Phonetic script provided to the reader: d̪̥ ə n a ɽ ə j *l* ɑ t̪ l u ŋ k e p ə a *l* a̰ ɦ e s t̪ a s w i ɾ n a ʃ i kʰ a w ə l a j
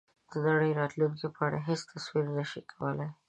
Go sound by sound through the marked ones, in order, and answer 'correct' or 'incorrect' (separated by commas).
incorrect, incorrect